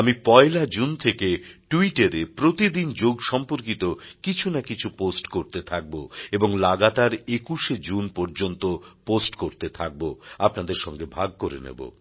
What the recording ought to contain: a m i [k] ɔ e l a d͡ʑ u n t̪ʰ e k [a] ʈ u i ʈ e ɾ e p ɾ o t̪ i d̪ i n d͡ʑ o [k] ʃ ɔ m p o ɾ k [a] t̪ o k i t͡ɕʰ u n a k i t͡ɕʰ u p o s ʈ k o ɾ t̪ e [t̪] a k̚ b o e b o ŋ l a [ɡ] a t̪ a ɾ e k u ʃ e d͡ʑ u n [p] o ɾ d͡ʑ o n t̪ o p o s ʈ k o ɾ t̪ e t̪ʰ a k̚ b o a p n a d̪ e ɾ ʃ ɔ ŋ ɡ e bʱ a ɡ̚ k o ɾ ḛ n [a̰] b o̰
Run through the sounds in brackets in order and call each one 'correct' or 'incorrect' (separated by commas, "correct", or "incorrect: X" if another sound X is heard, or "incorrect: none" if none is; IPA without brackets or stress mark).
incorrect: p, incorrect: e, incorrect: ɡ, incorrect: i, incorrect: t̪ʰ, correct, correct, incorrect: ḛ